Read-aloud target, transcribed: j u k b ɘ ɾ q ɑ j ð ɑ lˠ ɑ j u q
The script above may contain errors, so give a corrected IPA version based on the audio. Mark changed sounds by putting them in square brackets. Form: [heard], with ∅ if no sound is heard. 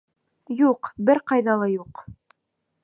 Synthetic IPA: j u [q] b ɘ ɾ q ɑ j ð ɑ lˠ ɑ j u q